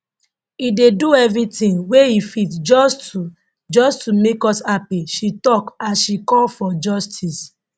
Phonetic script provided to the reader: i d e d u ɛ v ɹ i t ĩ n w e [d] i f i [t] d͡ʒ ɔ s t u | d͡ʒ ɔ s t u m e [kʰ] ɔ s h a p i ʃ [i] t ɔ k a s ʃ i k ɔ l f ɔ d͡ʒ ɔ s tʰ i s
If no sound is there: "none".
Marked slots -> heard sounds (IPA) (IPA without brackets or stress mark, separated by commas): none, t, k, i